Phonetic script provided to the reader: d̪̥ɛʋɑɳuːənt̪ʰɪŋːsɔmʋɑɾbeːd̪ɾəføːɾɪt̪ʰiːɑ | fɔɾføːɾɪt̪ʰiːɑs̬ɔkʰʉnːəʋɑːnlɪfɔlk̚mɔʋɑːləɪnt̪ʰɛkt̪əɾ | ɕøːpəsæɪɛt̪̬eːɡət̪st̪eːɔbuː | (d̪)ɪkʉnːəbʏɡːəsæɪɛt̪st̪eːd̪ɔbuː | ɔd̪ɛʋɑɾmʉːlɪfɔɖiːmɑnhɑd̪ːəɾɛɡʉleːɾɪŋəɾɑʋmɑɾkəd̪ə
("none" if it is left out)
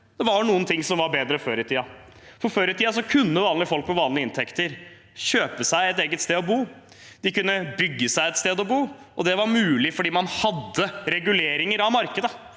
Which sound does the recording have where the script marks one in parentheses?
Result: d̪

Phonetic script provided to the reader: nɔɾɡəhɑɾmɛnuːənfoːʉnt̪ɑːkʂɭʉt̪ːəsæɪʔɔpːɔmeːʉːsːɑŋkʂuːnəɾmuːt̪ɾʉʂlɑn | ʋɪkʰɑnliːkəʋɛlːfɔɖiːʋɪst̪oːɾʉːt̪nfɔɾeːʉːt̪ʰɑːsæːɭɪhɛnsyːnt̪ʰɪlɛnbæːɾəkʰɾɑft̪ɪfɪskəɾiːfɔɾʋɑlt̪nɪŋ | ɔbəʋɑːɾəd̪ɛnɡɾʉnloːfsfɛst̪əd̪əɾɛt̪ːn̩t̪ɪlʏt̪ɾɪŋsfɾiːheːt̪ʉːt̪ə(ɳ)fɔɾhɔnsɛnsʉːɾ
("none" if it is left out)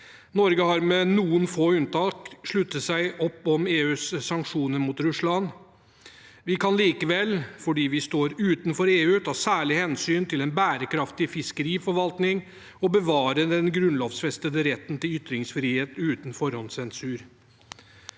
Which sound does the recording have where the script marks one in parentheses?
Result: n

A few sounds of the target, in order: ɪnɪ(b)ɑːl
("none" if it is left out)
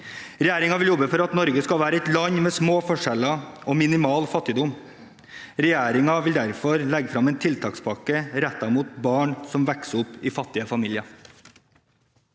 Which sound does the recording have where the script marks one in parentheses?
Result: m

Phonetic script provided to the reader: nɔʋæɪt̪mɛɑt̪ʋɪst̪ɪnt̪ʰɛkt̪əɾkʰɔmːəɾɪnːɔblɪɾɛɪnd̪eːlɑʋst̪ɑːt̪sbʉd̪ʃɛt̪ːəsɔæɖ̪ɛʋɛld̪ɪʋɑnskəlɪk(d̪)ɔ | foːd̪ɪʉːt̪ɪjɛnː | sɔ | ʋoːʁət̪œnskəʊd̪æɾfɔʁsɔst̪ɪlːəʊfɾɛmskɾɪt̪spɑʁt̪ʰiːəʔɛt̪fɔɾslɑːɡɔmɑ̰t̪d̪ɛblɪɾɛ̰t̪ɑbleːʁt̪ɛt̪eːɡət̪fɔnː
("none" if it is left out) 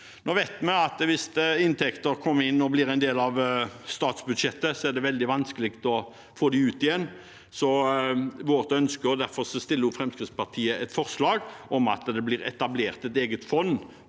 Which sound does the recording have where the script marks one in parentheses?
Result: t̪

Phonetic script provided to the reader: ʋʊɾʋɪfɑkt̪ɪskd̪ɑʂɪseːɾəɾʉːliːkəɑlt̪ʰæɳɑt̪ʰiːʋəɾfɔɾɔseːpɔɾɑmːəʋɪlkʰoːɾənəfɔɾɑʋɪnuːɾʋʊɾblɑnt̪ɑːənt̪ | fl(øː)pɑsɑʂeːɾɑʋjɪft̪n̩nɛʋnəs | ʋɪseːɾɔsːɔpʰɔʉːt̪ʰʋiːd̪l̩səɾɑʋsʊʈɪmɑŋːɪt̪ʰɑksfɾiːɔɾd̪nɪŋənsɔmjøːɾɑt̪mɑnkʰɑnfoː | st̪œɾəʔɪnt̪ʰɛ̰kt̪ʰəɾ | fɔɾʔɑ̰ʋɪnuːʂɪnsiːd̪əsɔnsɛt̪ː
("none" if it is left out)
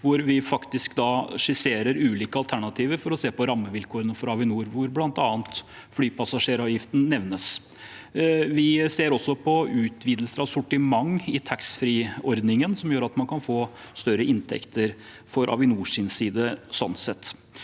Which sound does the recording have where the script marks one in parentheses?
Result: yː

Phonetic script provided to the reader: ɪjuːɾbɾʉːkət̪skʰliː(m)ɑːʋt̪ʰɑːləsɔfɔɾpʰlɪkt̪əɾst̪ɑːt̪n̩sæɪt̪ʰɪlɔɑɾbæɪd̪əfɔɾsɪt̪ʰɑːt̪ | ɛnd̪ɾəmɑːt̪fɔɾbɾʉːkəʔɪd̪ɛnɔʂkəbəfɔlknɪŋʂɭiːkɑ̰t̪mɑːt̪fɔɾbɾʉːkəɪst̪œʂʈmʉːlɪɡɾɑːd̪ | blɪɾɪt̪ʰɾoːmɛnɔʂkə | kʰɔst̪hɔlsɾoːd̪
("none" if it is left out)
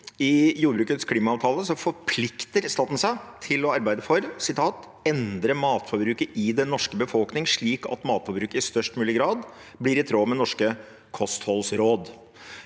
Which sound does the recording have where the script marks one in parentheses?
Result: m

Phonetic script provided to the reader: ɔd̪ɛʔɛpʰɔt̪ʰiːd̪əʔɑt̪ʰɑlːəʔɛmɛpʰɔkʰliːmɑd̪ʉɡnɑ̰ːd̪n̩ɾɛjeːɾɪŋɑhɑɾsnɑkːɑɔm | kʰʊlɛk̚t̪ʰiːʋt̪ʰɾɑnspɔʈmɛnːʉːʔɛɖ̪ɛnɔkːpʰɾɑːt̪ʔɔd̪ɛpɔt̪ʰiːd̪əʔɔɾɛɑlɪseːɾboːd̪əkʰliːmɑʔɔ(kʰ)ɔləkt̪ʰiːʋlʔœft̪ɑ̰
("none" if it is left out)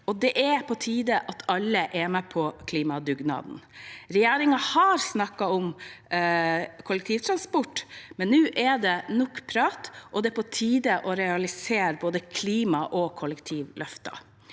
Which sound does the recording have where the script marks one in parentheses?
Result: kʰ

